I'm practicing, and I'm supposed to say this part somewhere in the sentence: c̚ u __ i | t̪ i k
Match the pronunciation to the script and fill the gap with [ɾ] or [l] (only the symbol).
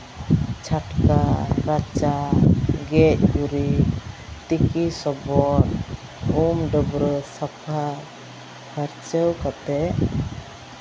ɾ